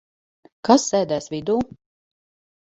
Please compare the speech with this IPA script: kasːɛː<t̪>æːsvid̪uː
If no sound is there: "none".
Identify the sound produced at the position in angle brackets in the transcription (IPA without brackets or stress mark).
d̪